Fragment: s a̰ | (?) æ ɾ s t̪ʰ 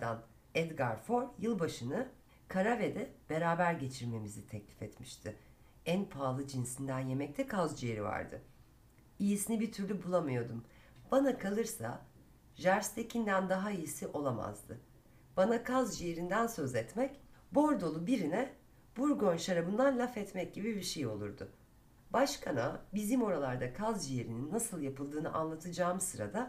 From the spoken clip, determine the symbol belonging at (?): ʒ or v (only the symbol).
ʒ